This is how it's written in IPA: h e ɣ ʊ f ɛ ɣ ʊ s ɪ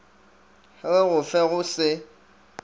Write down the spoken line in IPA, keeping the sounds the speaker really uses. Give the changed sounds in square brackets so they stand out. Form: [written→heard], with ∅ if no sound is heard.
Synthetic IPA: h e ɣ ʊ f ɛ ɣ ʊ s ɪ